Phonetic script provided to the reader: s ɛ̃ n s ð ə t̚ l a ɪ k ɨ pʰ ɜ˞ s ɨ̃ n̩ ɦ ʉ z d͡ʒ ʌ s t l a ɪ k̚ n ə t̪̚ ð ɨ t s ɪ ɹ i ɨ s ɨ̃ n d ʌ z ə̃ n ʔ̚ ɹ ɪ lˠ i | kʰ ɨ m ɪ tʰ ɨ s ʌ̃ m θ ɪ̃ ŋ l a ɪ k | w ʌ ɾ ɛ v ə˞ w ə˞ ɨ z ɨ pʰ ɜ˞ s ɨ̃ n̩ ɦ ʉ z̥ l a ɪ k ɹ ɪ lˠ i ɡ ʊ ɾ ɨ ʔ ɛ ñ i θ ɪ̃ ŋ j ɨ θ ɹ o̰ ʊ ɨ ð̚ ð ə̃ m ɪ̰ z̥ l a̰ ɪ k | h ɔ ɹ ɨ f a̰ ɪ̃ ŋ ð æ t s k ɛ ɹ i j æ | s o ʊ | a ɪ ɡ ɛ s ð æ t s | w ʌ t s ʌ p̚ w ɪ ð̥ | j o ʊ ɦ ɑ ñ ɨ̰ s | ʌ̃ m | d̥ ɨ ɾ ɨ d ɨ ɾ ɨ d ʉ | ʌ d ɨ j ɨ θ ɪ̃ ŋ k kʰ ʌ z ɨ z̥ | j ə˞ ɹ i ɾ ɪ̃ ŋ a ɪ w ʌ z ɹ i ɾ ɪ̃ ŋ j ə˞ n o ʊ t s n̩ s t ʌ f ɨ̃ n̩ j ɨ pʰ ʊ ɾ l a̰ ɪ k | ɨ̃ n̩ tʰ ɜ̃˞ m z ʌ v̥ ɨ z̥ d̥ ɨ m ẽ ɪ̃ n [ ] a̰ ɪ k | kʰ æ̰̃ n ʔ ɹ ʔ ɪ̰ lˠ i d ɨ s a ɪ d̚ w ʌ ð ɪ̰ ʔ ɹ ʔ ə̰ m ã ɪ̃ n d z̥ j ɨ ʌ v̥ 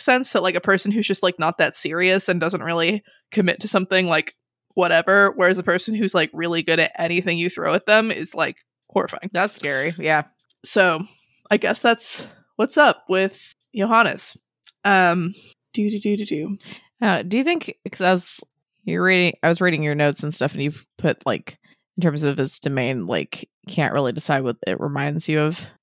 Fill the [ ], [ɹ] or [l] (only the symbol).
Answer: l